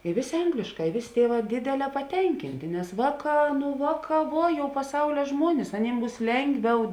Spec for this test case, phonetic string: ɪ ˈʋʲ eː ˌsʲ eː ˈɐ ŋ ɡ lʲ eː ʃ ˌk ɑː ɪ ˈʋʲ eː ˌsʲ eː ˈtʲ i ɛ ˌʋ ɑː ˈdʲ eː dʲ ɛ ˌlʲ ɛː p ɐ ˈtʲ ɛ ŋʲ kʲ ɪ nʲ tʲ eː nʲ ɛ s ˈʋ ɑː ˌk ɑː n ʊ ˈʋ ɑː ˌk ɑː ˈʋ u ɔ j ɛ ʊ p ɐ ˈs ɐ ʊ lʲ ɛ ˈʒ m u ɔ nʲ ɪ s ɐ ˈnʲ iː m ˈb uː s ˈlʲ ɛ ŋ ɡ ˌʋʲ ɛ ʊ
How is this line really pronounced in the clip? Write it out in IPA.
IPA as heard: ɪ ˈʋʲ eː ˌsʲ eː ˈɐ ŋ ɡ lʲ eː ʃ ˌk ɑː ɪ ˈʋʲ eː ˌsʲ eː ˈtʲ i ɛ ˌʋ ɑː ˈdʲ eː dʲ ɛ ˌlʲ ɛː p ɐ ˈtʲ ɛ ŋʲ kʲ ɪ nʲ tʲ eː nʲ ɛ s ˈʋ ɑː ˌk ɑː n ʊ ˈʋ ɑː ˌk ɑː ˈʋ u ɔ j ɛ ʊ p ɐ ˈs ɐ ʊ lʲ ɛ ˈʒ m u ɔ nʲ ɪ s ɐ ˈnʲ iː m ˈb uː s ˈlʲ ɛ ŋ ɡ ˌʋʲ ɛ ʊ